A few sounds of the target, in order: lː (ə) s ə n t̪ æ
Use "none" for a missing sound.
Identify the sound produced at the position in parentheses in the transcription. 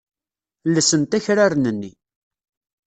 ə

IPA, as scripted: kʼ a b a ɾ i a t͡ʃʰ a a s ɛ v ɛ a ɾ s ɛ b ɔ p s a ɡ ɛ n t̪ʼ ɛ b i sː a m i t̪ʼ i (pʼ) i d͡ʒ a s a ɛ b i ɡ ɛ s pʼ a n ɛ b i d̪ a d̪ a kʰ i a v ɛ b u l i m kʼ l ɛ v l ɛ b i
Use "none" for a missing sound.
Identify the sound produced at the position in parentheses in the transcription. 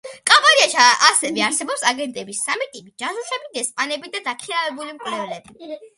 pʼ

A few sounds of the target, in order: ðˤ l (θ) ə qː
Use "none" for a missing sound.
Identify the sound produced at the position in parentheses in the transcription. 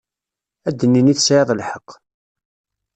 ħ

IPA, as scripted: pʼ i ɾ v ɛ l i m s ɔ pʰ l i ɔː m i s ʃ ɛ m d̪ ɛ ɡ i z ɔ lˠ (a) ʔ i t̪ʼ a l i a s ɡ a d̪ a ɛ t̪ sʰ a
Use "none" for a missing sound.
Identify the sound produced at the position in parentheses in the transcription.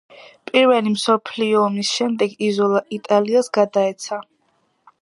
a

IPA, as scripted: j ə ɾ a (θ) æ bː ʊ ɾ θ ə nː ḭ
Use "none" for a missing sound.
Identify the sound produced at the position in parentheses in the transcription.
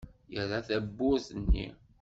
θ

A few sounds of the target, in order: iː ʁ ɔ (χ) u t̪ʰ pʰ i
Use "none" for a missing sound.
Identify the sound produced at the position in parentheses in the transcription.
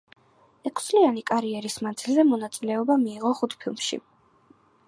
χ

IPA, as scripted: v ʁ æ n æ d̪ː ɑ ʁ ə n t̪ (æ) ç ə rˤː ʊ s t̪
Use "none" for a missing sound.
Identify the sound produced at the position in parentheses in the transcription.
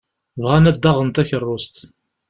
æ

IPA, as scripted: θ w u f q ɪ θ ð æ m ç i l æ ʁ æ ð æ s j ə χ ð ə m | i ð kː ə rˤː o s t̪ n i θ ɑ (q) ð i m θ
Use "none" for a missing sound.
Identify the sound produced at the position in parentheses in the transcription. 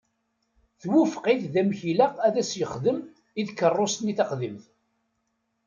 q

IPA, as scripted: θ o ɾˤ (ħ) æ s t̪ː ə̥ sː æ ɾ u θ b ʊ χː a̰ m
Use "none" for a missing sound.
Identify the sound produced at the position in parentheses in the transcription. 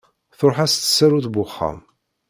ħ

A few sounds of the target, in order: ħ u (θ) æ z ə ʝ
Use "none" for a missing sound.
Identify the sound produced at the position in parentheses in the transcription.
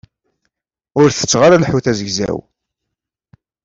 θ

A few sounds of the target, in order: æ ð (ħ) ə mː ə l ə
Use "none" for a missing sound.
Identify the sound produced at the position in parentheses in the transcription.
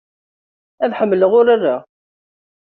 ħ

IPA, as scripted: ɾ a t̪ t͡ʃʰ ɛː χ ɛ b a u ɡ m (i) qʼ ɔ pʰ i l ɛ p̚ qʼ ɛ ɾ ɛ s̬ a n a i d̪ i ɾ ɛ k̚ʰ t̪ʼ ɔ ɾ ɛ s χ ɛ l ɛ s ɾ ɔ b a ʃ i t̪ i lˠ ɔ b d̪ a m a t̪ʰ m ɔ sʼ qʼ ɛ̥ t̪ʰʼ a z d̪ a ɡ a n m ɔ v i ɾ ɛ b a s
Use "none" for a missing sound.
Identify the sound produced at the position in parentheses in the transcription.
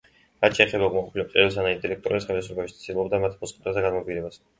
a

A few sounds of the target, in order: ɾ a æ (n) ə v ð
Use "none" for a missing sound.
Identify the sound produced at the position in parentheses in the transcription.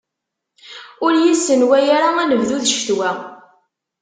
n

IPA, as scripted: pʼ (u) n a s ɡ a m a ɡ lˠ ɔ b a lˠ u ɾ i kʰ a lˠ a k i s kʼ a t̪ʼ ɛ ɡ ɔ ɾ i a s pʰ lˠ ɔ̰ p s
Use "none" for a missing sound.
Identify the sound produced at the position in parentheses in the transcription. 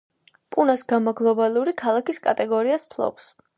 u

